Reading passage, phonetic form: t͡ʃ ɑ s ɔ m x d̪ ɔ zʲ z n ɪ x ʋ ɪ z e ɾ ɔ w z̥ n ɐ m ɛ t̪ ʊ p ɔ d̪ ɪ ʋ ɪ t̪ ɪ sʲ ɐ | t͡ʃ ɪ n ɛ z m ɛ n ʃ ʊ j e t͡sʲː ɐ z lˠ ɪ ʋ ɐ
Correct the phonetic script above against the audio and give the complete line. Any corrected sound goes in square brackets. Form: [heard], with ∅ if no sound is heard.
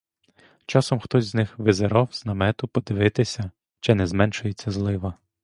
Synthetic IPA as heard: t͡ʃ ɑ s ɔ m x [t̪] ɔ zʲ z n ɪ x ʋ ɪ z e ɾ ɔ w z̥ n ɐ m ɛ t̪ ʊ p ɔ d̪ ɪ ʋ ɪ t̪ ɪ sʲ ɐ | t͡ʃ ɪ n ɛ z m ɛ n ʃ ʊ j e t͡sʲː ɐ z lˠ ɪ ʋ ɐ

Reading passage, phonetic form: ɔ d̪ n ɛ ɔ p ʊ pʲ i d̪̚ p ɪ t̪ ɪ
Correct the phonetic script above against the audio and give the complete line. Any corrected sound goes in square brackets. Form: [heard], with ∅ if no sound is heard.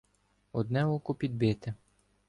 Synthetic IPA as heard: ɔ d̪ n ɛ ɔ [k] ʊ pʲ i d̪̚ [b] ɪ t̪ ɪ

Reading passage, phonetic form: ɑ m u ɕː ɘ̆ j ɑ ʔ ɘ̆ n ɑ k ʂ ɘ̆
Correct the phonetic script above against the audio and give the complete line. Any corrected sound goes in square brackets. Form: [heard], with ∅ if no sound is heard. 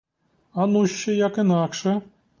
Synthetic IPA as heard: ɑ [n] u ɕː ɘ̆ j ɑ [k] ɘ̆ n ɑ k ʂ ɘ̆

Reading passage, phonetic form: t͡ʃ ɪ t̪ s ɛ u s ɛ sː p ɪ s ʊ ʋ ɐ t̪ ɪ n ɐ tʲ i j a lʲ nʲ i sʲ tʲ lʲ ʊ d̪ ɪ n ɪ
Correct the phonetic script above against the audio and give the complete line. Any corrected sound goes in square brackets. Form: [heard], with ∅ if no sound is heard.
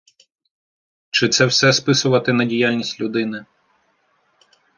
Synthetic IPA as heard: t͡ʃ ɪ t̪ s ɛ [w] s ɛ [s] p ɪ s ʊ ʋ ɐ t̪ ɪ n ɐ [dʲ] i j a lʲ nʲ i sʲ tʲ lʲ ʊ d̪ ɪ n ɪ

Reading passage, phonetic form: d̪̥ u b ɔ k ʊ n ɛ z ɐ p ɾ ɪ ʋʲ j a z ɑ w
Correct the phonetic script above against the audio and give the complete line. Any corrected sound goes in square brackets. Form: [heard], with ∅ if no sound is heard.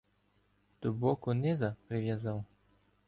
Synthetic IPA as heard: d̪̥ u b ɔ k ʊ n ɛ z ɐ p ɾ ɪ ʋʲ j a z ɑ w

